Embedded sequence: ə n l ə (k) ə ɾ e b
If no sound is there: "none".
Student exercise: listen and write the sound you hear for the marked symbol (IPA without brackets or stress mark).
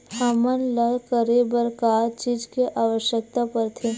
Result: k